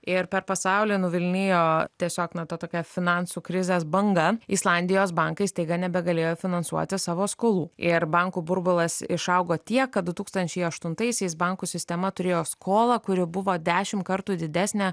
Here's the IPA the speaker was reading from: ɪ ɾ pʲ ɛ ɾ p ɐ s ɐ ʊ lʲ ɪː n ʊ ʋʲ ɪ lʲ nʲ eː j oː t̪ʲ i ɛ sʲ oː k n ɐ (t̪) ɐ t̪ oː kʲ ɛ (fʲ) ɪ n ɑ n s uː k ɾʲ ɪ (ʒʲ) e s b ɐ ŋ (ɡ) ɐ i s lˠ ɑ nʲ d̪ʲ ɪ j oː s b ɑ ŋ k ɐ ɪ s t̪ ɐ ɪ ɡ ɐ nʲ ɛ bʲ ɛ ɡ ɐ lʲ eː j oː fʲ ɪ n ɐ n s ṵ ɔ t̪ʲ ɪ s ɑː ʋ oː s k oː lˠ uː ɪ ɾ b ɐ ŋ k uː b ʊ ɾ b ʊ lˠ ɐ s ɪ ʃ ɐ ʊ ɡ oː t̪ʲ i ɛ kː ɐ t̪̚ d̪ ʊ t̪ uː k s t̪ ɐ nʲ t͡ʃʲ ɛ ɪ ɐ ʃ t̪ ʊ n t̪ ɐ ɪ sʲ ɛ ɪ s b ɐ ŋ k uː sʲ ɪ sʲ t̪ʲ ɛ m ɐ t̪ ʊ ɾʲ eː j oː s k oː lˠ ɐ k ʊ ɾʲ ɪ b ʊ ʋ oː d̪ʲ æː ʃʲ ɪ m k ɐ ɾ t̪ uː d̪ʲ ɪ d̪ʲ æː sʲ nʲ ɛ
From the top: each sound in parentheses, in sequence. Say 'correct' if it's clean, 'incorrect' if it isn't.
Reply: correct, correct, incorrect, correct

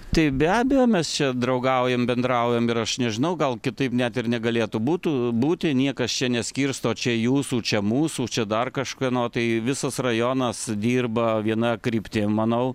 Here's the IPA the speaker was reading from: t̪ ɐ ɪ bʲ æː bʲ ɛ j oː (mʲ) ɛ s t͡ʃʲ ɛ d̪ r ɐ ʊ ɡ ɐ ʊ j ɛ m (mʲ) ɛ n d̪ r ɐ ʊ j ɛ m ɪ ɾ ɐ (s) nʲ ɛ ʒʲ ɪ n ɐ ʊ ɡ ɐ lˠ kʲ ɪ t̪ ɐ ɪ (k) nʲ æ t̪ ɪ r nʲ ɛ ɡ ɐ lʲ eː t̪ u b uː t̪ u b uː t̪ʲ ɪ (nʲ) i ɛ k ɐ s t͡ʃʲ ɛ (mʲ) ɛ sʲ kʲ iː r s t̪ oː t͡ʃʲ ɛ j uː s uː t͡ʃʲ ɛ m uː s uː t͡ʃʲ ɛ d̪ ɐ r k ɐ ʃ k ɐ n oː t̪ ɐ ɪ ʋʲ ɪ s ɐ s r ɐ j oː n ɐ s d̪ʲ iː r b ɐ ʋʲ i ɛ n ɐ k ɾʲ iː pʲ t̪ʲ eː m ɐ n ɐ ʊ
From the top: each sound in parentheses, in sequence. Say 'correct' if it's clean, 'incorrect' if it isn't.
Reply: correct, incorrect, incorrect, incorrect, correct, incorrect

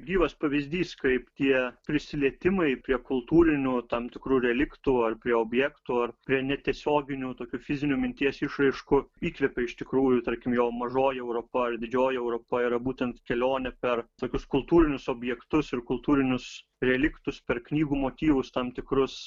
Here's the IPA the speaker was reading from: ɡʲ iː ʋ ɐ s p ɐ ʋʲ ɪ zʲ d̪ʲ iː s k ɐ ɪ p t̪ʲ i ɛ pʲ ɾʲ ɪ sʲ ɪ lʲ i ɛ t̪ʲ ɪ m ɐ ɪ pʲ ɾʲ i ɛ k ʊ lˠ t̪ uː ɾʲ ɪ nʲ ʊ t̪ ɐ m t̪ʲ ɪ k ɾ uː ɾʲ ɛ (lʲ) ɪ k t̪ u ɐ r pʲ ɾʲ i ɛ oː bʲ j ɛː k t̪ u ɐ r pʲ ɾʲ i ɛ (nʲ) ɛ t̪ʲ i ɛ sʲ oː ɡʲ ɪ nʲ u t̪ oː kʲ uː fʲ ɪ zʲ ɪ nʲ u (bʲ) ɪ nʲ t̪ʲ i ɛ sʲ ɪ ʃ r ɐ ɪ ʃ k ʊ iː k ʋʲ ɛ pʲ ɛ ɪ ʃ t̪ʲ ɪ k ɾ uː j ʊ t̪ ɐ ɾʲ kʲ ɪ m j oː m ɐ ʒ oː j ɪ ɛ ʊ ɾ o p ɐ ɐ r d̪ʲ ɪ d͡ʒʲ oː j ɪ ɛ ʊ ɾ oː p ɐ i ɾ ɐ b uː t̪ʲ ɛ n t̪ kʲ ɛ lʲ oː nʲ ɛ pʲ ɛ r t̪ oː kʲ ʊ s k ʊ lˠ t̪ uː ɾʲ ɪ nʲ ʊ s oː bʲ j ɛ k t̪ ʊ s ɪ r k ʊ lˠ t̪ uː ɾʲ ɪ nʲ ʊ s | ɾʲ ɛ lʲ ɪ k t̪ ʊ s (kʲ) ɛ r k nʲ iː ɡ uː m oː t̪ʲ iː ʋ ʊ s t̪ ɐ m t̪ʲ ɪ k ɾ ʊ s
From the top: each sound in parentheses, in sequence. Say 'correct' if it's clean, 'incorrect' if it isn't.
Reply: correct, correct, incorrect, incorrect

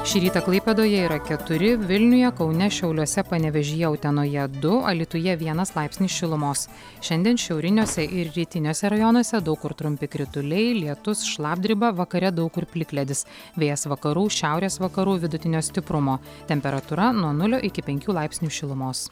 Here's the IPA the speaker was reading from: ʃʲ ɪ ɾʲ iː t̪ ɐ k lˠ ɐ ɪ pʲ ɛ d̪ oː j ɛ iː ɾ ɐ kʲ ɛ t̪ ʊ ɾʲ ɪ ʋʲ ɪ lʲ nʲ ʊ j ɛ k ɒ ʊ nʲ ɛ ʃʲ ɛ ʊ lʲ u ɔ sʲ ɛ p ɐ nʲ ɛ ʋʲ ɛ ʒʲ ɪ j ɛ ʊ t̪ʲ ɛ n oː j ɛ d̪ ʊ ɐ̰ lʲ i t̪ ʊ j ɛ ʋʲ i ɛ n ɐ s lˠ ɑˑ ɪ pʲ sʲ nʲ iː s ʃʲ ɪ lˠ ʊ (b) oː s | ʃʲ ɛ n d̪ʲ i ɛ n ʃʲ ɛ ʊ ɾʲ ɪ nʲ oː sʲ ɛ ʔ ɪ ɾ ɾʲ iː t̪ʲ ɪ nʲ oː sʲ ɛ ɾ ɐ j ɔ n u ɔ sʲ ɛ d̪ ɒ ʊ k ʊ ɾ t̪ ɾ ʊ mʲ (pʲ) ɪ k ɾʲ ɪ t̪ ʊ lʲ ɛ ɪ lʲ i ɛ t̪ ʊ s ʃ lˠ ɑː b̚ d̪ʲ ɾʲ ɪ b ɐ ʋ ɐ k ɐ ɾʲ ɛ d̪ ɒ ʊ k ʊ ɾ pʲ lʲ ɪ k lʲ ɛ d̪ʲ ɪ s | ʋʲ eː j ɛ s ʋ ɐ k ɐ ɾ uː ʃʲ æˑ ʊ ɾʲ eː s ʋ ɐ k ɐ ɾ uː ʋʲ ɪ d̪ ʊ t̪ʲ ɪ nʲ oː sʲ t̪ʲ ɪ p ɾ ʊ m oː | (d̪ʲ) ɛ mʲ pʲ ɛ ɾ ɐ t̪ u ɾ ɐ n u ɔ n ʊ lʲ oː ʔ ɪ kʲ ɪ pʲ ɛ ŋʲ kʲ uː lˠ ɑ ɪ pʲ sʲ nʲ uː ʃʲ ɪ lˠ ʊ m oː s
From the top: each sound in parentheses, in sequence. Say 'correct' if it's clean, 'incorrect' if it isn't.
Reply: incorrect, correct, incorrect

